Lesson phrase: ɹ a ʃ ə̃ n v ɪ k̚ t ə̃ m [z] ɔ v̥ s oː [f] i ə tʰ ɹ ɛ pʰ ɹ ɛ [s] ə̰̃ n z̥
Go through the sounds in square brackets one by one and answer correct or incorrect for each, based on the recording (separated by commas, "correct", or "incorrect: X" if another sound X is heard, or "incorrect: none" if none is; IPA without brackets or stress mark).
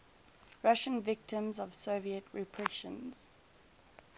correct, incorrect: v, incorrect: ʃ